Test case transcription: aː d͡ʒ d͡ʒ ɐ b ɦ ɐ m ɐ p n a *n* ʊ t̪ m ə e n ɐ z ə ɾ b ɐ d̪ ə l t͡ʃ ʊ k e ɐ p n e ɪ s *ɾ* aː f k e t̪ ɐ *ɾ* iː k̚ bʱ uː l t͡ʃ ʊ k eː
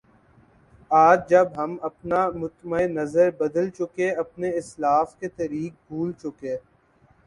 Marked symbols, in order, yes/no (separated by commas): no, no, yes